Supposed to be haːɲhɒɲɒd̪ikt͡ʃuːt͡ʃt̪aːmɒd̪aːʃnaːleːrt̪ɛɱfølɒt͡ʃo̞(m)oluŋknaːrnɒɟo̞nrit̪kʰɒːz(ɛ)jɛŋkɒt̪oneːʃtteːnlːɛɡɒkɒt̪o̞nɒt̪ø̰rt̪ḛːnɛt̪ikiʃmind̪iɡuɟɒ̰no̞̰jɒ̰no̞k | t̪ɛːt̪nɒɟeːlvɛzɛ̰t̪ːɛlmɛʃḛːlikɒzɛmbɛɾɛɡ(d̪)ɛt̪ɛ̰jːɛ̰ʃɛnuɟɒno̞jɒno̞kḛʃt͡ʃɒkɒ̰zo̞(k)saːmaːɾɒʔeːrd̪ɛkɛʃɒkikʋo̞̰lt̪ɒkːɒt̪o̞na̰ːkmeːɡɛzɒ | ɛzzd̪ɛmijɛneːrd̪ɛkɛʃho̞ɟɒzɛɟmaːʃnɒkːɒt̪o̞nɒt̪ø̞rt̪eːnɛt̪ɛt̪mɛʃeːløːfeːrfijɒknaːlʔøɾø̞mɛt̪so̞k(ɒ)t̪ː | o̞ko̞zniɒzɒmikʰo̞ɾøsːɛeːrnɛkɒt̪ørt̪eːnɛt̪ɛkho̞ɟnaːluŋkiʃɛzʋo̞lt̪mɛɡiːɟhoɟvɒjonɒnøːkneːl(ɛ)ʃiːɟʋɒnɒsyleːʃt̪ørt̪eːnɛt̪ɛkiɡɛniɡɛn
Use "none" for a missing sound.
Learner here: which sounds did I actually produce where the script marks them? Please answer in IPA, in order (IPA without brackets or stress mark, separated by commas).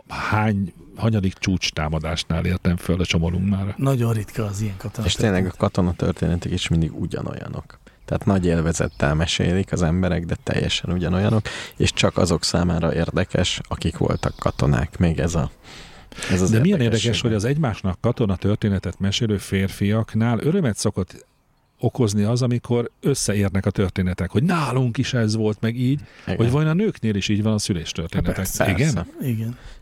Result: m, i, d̪, k, o, i